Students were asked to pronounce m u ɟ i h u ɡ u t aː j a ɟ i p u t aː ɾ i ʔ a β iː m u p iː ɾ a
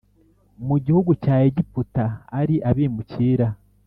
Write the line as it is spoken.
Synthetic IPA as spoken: m u ɟ i h u ɡ u c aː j e ɟ i p u t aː ɾ i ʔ a β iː m u c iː ɾ a